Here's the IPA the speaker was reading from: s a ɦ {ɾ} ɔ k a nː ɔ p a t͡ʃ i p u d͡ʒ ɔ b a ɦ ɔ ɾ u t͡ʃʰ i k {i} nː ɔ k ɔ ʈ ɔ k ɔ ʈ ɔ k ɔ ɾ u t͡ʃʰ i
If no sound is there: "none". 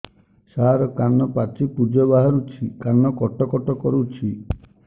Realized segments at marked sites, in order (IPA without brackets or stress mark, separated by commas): ɾ, a